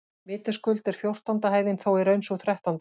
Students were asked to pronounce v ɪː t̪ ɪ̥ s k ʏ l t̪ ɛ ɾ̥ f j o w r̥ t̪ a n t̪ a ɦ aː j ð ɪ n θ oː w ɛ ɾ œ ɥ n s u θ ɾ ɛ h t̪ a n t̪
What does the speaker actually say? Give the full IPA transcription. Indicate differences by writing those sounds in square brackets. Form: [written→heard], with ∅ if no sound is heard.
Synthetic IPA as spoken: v ɪː t̪ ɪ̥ s k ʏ l t̪ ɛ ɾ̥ f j o w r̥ t̪ a n t̪ a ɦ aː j ð ɪ n θ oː w ɛ ɾ œ ɥ n s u θ ɾ ɛ h t̪ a n t̪